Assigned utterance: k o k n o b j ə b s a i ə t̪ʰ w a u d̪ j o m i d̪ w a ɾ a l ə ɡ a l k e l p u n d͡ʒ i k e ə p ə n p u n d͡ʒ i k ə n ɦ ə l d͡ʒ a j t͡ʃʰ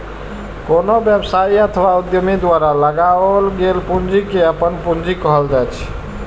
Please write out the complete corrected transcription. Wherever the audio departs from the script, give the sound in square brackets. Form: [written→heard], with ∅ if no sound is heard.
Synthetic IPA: k o [k→∅] n o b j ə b s a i ə t̪ʰ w a u d̪ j o m i d̪ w a ɾ a l ə ɡ a l [k→ɡ] e l p u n d͡ʒ i k e ə p ə n p u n d͡ʒ i k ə [n→∅] ɦ ə l d͡ʒ a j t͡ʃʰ